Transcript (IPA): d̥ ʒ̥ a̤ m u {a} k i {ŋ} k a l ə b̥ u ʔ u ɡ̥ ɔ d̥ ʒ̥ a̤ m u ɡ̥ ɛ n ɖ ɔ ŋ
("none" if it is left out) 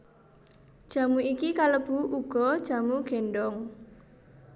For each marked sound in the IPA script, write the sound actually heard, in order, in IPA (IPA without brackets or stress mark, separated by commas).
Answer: i, none